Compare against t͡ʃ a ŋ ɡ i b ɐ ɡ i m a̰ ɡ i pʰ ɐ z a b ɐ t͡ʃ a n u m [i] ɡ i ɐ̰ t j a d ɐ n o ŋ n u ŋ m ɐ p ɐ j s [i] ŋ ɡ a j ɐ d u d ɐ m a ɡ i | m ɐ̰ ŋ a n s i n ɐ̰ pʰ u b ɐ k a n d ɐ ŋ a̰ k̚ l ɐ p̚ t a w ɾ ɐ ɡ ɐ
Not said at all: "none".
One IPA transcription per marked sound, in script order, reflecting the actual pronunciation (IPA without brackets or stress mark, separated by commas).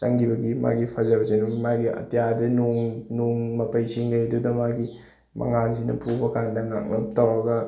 a, i